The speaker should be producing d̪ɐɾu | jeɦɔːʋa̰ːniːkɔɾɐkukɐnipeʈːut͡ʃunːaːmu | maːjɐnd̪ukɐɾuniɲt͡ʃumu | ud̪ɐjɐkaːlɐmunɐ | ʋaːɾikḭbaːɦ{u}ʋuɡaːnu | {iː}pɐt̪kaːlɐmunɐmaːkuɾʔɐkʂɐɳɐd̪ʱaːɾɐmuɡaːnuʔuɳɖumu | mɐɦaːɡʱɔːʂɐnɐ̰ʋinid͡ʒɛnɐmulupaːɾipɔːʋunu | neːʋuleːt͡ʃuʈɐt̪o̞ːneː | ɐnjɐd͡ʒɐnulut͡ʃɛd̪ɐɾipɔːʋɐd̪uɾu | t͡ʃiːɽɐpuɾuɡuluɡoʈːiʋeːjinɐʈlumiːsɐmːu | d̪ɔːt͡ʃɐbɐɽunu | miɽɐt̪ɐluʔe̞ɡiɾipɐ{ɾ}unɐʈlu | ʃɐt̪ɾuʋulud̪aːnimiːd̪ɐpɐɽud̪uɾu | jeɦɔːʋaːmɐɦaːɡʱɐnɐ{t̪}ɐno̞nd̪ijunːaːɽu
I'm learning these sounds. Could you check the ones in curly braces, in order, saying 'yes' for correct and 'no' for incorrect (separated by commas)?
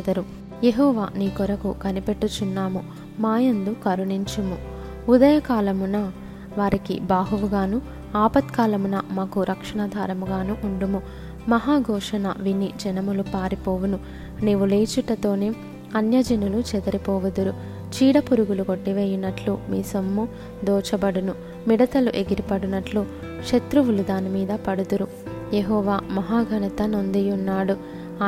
yes, no, no, yes